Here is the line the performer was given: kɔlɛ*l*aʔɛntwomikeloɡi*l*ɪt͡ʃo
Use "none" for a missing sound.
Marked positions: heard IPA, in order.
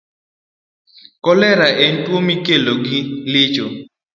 ɾ, l

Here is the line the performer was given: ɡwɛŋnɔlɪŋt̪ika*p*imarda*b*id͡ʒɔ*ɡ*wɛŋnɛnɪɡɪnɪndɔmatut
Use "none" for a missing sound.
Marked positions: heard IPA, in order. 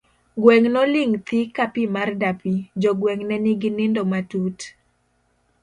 p, p, ɡ

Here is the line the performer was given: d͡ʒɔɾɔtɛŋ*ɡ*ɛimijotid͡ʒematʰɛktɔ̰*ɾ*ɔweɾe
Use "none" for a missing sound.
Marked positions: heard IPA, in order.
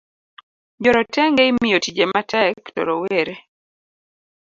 ɡ, ɾ

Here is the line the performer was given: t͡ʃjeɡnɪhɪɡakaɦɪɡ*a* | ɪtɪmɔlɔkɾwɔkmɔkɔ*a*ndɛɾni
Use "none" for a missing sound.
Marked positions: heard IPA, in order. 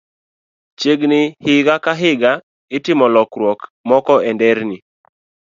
a, ɛ

